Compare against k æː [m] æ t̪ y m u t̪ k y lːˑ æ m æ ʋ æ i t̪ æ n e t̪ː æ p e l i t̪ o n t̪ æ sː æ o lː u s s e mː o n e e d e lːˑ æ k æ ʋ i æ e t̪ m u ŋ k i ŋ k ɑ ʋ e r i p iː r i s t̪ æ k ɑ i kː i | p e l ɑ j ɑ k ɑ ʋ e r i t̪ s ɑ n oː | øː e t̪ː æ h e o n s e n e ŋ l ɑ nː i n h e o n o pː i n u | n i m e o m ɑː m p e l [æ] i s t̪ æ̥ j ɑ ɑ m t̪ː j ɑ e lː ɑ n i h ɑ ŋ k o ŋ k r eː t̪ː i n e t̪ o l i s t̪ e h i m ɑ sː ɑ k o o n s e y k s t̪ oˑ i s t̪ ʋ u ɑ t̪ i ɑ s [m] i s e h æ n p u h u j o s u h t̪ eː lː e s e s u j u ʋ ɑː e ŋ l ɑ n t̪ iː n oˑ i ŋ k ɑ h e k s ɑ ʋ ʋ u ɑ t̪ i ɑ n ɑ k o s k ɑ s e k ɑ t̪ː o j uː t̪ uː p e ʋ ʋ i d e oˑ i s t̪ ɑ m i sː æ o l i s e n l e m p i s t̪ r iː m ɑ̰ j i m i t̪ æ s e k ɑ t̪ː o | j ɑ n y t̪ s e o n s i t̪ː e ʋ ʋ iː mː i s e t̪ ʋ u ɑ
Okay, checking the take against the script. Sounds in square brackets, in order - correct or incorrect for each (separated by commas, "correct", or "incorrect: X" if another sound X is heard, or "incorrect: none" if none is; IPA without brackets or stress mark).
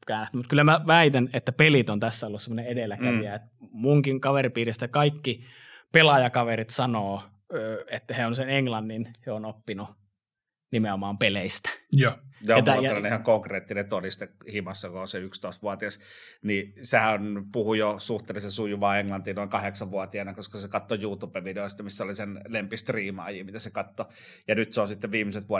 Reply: incorrect: n, incorrect: e, incorrect: n